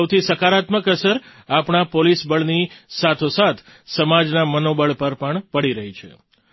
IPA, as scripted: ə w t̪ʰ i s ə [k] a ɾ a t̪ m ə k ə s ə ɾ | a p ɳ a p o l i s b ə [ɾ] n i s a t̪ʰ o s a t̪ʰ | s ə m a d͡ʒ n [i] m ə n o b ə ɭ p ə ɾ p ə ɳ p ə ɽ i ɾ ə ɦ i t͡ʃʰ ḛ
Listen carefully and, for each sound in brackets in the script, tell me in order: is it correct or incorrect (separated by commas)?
correct, incorrect, incorrect